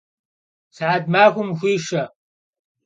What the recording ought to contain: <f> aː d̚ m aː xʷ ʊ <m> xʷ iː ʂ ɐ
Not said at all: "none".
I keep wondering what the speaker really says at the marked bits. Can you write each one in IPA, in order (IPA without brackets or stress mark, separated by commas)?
s, m